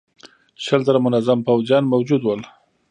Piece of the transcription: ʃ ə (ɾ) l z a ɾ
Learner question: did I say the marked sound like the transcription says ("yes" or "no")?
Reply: no